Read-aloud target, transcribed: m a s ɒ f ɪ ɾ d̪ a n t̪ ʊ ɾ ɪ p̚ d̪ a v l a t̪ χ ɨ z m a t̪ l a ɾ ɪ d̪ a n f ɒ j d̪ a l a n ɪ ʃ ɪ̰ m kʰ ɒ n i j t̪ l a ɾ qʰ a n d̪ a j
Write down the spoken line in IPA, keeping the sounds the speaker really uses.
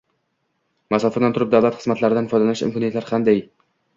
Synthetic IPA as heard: m a s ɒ f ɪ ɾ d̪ a n t̪ ʊ ɾ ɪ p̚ d̪ a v l a t̪ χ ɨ z m a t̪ l a ɾ ɪ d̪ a n f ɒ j d̪ a l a n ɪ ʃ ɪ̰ m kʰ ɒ n i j t̪ l a ɾ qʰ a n d̪ a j